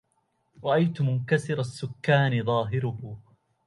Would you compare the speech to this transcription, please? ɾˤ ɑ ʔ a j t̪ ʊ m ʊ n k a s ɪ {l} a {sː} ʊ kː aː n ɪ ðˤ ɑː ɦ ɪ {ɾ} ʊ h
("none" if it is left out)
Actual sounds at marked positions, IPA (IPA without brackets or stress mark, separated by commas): ɾ, sː, ɾ